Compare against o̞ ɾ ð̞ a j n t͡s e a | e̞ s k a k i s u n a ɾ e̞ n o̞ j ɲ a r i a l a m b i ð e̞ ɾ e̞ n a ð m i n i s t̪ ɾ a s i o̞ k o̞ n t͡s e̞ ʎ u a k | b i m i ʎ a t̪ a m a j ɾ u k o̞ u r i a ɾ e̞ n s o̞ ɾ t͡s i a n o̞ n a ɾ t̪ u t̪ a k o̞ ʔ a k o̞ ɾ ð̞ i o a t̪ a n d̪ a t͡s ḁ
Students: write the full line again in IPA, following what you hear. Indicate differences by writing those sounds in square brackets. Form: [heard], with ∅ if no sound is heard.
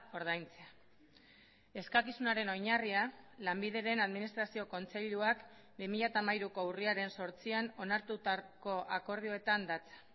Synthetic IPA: o̞ ɾ ð̞ a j n t͡s e a | e̞ s k a k i s u n a ɾ e̞ n o̞ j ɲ a r i a l a m b i ð e̞ ɾ e̞ n a ð m i n i s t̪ ɾ a s i o̞ k o̞ n t͡s e̞ ʎ u a k | b i m i ʎ a t̪ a m a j ɾ u k o̞ u r i a ɾ e̞ n s o̞ ɾ t͡s i a n o̞ n a ɾ t̪ u t̪ a k o̞ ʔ a k o̞ ɾ ð̞ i o [e] t̪ a n d̪ a t͡s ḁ